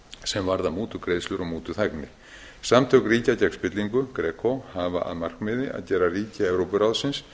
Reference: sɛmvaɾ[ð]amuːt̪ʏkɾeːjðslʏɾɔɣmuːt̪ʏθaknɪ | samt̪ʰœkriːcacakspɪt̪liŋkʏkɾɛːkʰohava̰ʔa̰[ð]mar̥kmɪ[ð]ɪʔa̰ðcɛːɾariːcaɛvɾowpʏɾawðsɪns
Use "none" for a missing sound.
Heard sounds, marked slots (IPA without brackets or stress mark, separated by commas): ð, ð, ð